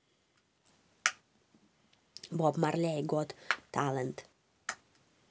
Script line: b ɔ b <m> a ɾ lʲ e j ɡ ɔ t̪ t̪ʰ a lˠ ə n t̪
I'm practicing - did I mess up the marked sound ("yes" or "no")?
no